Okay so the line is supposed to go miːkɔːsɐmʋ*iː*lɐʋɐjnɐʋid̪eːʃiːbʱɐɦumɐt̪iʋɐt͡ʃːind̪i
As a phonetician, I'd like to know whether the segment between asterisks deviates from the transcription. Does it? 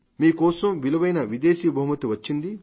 yes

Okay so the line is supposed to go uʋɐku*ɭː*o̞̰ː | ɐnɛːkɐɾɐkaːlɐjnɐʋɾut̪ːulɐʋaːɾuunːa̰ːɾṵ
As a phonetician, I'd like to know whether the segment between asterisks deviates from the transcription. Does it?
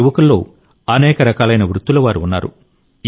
yes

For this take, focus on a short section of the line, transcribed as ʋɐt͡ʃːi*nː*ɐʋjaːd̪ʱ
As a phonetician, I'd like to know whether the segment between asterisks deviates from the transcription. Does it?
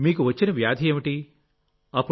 yes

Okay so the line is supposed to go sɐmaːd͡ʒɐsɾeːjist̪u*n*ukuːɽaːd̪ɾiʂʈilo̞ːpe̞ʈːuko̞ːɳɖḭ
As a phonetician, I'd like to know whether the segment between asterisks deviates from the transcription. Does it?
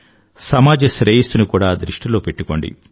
no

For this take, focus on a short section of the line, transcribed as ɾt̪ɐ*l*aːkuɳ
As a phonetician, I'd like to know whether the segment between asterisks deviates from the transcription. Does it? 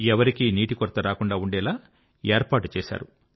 yes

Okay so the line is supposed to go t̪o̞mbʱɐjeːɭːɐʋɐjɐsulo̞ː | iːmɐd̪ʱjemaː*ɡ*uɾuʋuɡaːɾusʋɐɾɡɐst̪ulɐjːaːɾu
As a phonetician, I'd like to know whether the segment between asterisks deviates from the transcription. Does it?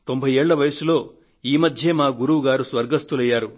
no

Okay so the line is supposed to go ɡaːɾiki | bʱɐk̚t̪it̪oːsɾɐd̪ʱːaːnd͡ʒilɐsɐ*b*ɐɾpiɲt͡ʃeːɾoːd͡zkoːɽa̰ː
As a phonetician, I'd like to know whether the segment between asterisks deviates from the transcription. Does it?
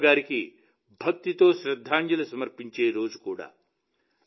yes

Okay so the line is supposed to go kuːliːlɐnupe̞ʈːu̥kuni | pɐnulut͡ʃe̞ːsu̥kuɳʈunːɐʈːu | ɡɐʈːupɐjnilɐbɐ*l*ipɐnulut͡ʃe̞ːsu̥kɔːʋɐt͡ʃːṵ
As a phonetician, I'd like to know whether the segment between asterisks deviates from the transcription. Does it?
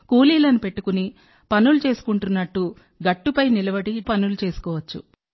yes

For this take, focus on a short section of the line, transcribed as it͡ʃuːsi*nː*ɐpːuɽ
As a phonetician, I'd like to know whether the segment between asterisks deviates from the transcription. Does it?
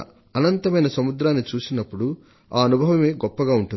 yes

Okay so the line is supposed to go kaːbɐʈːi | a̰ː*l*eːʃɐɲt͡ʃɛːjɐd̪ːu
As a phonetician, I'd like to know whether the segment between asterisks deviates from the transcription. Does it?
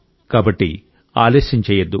no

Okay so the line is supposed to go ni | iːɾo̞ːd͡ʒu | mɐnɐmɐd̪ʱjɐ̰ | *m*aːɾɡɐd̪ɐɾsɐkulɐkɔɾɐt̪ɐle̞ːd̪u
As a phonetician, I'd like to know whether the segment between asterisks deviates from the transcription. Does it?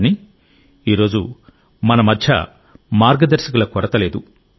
no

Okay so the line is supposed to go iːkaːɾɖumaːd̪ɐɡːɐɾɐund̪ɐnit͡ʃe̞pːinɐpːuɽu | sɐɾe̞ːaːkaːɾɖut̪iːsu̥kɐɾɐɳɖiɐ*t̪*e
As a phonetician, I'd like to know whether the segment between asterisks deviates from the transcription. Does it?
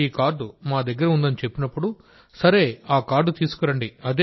yes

